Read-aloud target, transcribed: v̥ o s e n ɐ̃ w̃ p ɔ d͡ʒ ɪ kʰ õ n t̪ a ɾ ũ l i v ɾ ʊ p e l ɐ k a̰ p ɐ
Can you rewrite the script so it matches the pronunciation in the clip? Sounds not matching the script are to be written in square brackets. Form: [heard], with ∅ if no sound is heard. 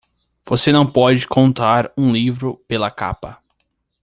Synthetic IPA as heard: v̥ o s e n ɐ̃ w̃ p ɔ d͡ʒ ɪ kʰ õ n t̪ a ɾ ũ l i v ɾ ʊ p e l ɐ k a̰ p ɐ